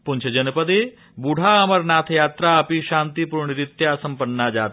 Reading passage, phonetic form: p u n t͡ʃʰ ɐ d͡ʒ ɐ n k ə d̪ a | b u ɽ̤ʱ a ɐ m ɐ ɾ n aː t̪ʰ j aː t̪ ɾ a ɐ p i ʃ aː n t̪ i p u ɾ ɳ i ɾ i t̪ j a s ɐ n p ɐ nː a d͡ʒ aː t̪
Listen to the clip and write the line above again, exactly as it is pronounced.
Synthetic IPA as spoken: p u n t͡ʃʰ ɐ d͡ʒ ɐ n p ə d̪ e | b u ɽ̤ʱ a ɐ m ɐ ɾ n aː t̪ʰ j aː t̪ ɾ a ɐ p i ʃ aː n t̪ i p u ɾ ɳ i ɾ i t̪ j a s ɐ m p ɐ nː a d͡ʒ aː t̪